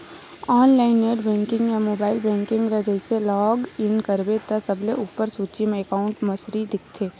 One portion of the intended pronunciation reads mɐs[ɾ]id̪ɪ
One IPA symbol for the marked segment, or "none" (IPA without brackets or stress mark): ɾ